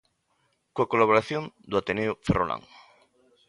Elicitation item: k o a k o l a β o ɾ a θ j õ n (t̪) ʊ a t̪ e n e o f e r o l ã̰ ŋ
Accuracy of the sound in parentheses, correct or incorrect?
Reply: incorrect